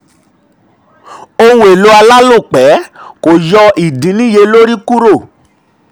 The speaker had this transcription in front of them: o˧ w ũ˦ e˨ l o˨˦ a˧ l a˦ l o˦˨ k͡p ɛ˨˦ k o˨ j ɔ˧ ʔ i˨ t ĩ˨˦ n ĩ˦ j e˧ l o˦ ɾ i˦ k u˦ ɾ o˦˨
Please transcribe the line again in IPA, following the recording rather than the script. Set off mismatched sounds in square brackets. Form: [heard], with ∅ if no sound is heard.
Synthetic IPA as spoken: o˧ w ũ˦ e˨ l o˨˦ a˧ l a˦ l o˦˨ k͡p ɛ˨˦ k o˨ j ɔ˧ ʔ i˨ [d] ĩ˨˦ n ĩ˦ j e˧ l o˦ ɾ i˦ k u˦ ɾ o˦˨